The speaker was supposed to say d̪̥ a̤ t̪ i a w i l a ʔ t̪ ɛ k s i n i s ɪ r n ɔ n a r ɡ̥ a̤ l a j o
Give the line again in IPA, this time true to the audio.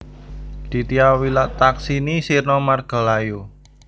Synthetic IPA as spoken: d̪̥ i̤ t̪ i a w i l a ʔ t̪ a k s i n i s i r n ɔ m a r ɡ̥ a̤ l a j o